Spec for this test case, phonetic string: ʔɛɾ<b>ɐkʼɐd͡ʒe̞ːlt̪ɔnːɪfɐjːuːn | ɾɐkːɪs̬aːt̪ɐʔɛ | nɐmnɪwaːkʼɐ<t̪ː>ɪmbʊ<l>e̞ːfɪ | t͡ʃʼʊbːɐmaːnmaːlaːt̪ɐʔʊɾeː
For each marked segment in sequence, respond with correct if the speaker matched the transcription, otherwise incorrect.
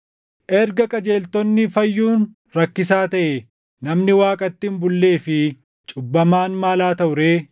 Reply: incorrect, correct, incorrect

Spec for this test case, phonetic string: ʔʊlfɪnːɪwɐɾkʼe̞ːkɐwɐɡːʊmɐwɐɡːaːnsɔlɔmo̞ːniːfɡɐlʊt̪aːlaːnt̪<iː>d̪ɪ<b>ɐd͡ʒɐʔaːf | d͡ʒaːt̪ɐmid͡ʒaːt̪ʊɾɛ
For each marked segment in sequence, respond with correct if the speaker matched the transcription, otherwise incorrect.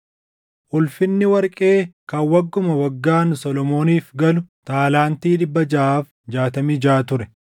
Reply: correct, incorrect

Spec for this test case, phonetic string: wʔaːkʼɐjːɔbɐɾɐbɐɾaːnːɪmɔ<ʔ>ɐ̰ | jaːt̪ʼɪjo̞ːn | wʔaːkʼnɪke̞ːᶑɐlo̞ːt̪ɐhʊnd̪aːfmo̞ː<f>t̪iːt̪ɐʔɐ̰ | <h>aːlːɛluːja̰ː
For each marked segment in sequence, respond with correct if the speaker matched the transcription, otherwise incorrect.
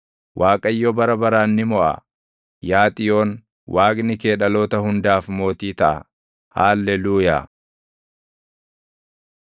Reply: correct, incorrect, correct

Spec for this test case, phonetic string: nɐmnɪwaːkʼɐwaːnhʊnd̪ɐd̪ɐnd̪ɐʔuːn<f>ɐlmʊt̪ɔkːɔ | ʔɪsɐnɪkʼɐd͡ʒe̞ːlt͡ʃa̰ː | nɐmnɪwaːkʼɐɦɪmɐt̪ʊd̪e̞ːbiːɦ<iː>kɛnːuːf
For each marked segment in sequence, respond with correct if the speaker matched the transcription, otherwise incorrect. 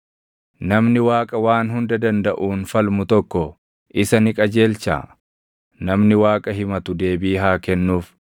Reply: correct, incorrect

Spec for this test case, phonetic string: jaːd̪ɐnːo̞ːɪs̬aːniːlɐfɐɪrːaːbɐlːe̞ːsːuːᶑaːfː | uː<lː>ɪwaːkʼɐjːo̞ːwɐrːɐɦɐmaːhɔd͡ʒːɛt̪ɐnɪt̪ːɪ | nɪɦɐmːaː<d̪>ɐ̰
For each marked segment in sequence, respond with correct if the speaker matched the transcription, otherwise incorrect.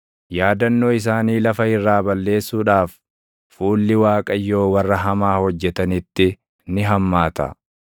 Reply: correct, incorrect

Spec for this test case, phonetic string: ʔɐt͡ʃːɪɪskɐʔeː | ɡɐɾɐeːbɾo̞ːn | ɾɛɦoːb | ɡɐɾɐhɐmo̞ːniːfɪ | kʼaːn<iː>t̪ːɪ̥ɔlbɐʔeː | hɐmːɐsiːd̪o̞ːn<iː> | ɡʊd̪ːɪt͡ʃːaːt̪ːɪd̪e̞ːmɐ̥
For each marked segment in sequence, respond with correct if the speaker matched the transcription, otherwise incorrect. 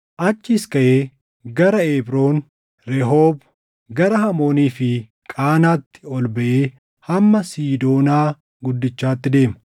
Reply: incorrect, incorrect

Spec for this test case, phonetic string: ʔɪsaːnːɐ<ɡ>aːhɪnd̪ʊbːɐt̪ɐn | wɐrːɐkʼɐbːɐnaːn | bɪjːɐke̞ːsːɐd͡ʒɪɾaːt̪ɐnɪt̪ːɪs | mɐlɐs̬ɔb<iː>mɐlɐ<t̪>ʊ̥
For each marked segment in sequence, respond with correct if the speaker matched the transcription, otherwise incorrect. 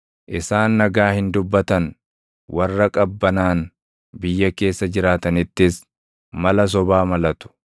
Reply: correct, incorrect, correct

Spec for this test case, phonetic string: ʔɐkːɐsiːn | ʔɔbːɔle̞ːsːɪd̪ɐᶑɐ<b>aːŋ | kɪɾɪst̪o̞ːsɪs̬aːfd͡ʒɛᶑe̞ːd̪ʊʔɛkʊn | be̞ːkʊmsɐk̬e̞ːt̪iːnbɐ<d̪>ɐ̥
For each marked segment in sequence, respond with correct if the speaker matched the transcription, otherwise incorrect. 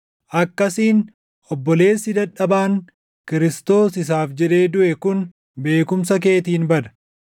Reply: correct, correct

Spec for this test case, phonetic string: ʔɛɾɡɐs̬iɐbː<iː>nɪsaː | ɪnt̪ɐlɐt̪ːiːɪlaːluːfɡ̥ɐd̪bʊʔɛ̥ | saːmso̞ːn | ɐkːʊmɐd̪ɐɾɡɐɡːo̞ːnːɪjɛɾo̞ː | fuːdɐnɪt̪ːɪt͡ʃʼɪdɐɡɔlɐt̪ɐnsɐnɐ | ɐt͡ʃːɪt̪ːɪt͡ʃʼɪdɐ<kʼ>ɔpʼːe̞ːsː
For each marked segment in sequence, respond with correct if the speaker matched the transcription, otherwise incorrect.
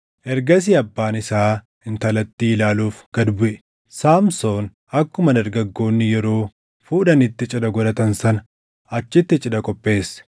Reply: incorrect, correct

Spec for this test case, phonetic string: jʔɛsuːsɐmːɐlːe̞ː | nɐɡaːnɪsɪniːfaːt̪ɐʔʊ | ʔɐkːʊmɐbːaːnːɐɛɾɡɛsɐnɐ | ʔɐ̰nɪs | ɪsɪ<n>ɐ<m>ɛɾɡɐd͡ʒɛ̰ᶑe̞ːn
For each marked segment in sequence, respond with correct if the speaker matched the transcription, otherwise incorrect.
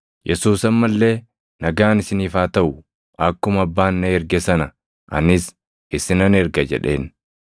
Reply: correct, incorrect

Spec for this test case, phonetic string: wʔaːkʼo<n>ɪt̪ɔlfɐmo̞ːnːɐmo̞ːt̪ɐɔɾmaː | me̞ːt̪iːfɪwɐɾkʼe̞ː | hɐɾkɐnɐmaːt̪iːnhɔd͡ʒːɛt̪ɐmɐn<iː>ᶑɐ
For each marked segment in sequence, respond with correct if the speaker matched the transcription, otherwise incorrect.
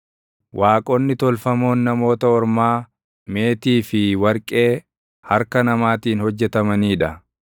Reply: incorrect, correct

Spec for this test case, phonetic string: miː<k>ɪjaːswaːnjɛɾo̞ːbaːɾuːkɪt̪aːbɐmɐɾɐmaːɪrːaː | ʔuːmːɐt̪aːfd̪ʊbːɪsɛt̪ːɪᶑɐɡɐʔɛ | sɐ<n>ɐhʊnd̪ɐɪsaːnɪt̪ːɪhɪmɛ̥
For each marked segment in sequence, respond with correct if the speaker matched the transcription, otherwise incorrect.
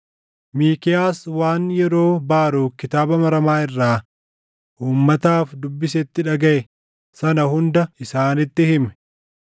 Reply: correct, correct

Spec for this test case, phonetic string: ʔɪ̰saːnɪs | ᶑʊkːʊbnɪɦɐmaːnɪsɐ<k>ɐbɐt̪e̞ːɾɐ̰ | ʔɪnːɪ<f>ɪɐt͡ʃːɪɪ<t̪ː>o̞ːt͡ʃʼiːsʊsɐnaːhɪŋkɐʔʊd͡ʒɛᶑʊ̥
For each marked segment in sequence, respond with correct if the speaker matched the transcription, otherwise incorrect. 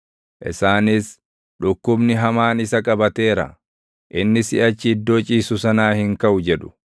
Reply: incorrect, incorrect, incorrect

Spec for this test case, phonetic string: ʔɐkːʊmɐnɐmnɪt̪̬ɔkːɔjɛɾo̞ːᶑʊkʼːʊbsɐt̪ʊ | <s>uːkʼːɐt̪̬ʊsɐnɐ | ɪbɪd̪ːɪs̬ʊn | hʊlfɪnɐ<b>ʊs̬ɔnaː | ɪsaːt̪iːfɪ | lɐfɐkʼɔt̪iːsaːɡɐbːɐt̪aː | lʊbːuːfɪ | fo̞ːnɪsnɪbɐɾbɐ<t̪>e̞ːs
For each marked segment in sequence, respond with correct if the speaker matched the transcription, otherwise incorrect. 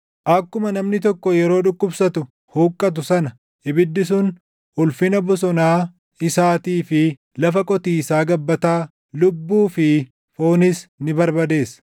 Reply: incorrect, correct, incorrect

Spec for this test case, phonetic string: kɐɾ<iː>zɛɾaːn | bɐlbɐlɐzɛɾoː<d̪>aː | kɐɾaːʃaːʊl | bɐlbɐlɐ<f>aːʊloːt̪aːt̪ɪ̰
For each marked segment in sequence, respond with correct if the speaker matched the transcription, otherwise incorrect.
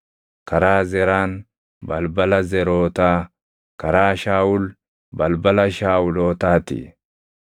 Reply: incorrect, incorrect, incorrect

